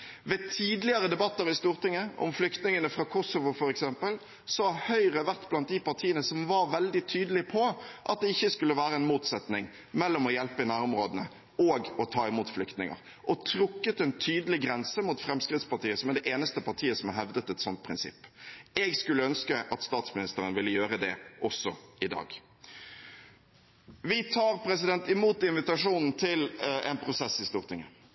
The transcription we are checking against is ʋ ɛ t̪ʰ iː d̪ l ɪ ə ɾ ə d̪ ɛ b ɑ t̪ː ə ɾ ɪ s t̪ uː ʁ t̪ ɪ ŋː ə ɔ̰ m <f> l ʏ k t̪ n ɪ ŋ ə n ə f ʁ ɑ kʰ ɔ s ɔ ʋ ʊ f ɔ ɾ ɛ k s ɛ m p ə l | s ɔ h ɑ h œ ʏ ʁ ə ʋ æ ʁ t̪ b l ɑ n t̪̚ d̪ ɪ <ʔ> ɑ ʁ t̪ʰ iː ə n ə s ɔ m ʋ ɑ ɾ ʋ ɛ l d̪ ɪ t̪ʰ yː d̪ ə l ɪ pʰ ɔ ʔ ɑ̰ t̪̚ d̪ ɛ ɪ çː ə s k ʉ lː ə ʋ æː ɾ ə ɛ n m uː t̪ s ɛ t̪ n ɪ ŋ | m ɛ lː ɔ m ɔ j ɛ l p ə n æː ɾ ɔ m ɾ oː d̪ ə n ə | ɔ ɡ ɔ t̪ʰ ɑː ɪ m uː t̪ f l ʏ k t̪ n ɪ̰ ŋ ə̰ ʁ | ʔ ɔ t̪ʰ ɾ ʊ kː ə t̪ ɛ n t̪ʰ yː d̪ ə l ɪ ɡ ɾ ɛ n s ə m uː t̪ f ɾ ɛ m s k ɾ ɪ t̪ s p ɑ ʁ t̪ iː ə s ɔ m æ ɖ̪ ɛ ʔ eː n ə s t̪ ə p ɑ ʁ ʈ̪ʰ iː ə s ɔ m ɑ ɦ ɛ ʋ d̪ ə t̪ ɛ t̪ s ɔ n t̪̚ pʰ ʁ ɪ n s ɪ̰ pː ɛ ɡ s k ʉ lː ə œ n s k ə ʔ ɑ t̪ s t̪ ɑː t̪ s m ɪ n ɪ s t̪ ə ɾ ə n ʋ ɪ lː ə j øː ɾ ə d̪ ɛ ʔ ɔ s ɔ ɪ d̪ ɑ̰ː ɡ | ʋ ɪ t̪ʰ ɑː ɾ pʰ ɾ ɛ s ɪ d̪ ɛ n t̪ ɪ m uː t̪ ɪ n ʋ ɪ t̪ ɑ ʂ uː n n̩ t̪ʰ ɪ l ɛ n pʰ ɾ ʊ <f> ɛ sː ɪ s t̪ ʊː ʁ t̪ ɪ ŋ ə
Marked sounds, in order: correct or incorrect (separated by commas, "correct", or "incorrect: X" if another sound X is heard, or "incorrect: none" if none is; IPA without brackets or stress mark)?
correct, incorrect: p, incorrect: s